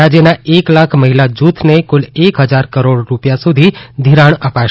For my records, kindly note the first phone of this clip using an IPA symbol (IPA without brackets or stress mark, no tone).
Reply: a